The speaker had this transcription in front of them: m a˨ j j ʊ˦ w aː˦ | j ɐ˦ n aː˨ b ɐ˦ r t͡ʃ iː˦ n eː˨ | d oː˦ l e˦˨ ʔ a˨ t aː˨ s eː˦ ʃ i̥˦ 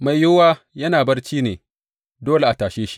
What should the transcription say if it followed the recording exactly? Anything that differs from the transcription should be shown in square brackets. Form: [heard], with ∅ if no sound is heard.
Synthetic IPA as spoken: m a˨ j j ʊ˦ w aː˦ | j ɐ˦ n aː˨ b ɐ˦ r t͡ʃ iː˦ n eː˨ | d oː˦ l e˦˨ ʔ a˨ t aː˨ [ʃ] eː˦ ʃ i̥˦